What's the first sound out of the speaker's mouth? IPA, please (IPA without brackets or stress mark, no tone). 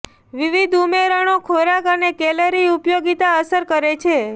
ʋ